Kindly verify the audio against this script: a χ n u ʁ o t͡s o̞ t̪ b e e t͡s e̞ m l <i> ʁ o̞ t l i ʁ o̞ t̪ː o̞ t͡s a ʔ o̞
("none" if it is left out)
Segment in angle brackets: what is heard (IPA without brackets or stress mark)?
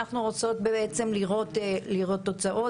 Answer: i